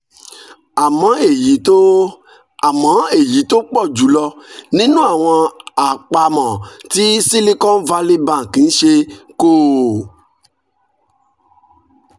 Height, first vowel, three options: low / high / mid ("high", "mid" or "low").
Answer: low